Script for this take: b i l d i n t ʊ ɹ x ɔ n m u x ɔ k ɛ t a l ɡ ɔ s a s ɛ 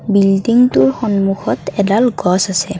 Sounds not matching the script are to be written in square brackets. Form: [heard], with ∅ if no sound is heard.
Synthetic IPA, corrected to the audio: b i l d i [ŋ] t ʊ ɹ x ɔ n m u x ɔ [t] ɛ [d] a l ɡ ɔ s a s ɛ

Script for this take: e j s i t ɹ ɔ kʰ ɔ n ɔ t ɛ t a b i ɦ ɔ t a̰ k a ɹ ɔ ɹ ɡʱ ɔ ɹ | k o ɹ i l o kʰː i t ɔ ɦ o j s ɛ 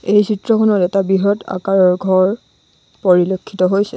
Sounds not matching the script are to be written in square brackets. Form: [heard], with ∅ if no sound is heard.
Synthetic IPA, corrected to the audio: e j s i t ɹ ɔ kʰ ɔ n ɔ t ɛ t a b i ɦ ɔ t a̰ k a ɹ ɔ ɹ ɡʱ ɔ ɹ | [p] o ɹ i l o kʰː i t ɔ ɦ o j s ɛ

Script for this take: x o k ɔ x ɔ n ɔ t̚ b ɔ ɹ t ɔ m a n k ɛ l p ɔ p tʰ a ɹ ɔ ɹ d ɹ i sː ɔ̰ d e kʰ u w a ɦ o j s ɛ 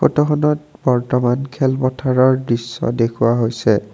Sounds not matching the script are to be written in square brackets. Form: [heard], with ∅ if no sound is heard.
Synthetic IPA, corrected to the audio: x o [t] ɔ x ɔ n ɔ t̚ b ɔ ɹ t ɔ m a n [kʰ] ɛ l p ɔ [∅] tʰ a ɹ ɔ ɹ d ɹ i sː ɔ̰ d e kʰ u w a ɦ o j s ɛ

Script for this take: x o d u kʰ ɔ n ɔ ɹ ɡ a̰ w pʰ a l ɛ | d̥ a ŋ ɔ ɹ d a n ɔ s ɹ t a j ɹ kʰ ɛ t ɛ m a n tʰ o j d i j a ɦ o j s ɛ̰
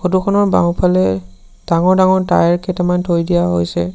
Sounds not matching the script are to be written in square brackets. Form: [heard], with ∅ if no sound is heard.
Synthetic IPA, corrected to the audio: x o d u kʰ ɔ n ɔ ɹ [b] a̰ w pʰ a l ɛ | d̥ a ŋ ɔ ɹ d a [ŋ] ɔ [∅] ɹ t a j ɹ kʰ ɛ t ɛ m a n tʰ o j d i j a ɦ o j s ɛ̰

